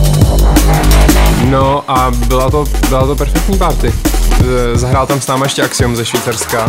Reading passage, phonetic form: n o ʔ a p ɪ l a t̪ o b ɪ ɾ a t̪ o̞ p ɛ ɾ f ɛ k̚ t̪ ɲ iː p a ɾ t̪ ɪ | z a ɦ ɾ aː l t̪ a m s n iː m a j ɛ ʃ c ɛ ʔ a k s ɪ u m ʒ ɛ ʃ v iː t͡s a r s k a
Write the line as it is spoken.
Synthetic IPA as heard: n o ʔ a b ɪ l a t̪ o b ɪ l a t̪ o̞ p ɛ ɾ f ɛ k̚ t̪ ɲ iː p a ɾ t̪ ɪ | z a ɦ ɾ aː l t̪ a m s n aː m a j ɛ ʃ c ɛ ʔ a k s ɪ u m z ɛ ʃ v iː t͡s a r s k a